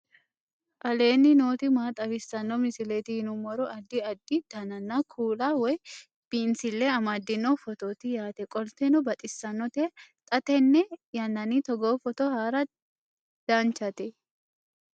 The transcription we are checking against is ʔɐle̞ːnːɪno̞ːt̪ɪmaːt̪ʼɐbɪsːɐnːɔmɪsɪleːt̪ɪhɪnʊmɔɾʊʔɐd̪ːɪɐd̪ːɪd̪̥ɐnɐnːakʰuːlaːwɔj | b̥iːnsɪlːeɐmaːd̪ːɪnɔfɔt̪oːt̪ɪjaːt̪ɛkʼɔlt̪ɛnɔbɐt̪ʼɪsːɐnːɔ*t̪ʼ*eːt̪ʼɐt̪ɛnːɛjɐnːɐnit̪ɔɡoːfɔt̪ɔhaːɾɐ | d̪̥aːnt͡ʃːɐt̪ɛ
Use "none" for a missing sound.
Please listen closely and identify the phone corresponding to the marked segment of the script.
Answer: t̪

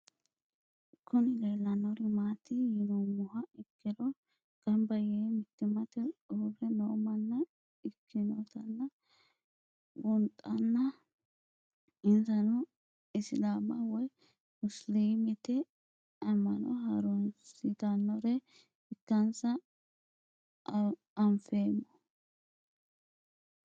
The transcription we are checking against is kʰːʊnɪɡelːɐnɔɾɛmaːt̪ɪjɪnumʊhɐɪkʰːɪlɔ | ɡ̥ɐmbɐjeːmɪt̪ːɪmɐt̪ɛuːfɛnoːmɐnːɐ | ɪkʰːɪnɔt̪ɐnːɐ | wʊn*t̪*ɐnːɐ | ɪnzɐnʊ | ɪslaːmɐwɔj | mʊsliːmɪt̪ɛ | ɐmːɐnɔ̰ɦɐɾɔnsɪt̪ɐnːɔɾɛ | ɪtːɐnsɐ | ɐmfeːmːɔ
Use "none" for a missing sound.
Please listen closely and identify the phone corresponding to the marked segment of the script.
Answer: t̪ʼ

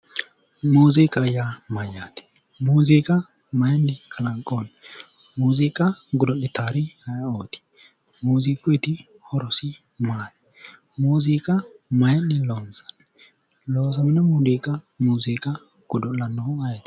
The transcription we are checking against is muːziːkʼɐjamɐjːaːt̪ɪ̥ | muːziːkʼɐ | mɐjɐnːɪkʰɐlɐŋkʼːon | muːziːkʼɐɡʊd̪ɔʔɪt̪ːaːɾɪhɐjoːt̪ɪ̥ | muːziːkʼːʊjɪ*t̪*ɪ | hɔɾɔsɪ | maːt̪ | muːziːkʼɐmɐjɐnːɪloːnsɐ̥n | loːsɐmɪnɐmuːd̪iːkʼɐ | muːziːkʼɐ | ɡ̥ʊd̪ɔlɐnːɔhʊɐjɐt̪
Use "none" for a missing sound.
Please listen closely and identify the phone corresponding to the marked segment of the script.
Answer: t̪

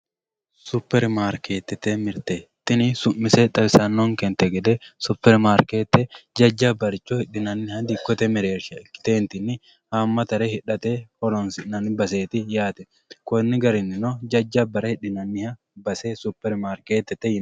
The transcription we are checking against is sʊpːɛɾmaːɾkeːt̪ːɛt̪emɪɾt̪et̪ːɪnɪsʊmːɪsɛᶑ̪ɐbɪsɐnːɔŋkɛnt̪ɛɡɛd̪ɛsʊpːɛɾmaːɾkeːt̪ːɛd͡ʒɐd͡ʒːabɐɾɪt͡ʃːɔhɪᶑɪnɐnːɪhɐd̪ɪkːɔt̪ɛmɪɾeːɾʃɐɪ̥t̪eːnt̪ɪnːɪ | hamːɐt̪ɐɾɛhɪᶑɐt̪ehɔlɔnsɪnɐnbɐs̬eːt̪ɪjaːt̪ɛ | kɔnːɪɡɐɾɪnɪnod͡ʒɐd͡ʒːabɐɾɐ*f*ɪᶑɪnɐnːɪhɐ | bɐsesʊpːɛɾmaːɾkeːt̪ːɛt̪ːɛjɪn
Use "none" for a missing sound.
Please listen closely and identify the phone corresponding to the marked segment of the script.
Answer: h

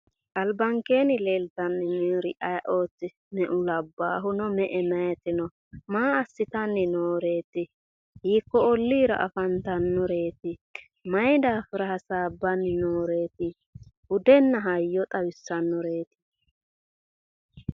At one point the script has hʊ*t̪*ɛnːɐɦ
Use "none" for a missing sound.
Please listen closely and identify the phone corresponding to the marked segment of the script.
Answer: d̪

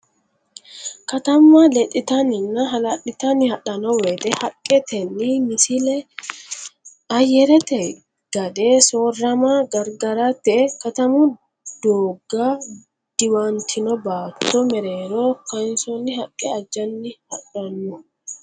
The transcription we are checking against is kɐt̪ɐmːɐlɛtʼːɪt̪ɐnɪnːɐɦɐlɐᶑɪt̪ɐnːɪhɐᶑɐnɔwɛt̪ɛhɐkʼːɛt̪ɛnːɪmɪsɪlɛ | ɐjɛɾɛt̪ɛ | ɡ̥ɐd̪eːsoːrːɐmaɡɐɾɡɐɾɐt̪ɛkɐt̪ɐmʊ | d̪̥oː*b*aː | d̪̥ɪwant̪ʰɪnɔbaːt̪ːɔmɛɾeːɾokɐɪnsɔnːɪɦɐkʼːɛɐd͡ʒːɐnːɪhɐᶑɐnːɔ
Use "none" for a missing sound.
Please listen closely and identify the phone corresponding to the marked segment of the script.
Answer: ɡ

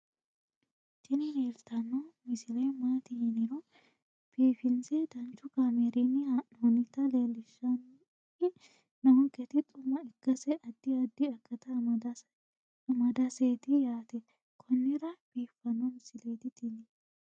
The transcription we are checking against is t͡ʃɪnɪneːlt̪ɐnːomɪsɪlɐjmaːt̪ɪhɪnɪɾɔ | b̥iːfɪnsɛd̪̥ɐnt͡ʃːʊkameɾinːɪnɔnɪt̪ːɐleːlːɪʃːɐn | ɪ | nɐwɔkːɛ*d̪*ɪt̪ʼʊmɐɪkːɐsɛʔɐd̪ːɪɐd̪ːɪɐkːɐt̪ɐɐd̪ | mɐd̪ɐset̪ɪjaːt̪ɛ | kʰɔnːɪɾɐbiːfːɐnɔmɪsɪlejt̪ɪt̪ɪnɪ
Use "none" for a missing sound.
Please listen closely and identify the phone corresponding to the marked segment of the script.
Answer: t̪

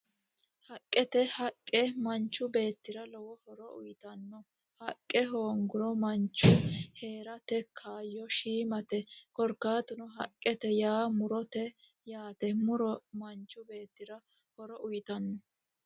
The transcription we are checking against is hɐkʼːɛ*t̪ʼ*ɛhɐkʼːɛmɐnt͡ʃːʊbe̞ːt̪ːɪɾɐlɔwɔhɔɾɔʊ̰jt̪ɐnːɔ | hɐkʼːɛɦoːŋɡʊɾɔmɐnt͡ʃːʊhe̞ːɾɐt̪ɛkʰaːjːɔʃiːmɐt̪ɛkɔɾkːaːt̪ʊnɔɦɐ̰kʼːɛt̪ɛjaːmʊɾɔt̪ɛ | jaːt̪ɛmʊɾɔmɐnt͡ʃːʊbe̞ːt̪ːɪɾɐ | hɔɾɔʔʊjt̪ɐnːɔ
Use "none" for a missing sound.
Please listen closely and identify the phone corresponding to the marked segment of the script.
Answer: t̪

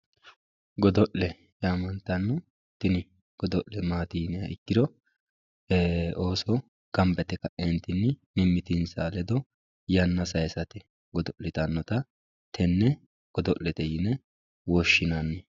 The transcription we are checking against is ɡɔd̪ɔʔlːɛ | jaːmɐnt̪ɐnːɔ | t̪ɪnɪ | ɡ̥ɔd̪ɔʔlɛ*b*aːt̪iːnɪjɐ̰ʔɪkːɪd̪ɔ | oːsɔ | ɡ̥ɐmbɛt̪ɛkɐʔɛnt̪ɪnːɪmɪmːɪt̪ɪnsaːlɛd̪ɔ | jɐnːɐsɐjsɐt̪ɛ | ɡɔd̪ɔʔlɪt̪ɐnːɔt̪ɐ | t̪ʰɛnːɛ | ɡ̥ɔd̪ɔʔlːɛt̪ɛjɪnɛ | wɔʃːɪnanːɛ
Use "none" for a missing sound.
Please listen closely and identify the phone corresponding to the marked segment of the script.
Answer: m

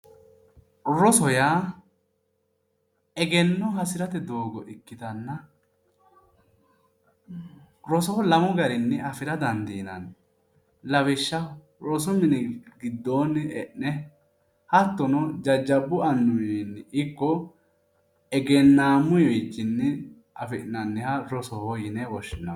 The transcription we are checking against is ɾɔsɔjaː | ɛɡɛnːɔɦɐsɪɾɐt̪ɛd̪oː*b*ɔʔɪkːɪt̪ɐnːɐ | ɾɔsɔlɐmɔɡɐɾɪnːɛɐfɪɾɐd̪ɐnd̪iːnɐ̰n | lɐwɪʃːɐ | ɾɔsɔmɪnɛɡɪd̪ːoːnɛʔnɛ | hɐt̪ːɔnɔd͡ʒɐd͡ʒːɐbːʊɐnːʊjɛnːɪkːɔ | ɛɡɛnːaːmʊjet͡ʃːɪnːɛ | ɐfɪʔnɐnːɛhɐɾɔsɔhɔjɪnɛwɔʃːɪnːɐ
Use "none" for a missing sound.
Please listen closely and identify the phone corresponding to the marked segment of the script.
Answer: ɡ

